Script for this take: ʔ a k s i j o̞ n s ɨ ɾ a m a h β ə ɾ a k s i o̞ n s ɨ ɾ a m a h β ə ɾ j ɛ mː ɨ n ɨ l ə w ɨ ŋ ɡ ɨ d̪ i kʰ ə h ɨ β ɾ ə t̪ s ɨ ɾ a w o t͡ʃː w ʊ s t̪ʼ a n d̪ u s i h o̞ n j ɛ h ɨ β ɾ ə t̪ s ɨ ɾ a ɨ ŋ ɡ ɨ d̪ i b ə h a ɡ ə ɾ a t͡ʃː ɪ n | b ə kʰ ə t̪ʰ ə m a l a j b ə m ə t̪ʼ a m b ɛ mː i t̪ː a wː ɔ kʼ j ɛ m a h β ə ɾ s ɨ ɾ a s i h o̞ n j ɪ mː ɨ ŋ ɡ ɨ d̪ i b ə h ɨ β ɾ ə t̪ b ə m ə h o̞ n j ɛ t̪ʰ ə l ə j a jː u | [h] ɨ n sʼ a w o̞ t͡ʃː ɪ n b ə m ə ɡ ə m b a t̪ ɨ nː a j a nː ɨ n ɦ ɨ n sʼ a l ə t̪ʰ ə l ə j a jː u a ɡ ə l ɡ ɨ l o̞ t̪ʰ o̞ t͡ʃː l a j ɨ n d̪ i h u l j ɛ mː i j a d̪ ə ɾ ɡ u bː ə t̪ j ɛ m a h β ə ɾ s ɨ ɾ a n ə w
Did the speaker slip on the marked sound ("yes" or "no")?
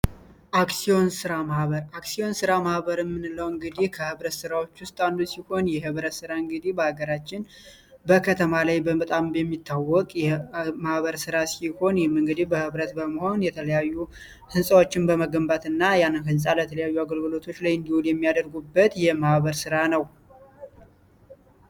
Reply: no